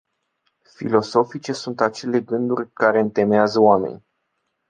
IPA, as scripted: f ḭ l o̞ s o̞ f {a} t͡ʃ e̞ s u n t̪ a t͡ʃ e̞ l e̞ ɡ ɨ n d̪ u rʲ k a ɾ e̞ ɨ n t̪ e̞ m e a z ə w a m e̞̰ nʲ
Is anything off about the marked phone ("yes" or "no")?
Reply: yes